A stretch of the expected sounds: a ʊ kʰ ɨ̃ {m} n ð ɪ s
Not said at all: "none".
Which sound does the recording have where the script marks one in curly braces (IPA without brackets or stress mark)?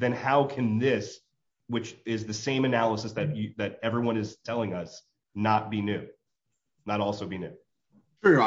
none